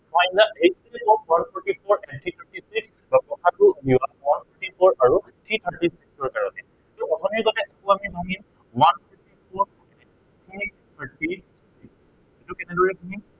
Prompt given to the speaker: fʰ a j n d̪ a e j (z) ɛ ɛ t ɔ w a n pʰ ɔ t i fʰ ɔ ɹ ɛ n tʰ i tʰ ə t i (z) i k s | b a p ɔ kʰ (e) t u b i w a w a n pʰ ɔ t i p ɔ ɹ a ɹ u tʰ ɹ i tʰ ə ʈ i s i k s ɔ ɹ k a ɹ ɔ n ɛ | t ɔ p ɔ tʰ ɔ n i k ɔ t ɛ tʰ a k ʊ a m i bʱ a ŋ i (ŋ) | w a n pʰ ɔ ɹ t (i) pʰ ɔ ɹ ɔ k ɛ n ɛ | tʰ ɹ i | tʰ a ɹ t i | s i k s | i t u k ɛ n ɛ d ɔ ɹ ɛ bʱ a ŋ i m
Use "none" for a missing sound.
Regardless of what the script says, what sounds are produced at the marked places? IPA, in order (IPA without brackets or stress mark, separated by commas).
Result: s, s, a, m, i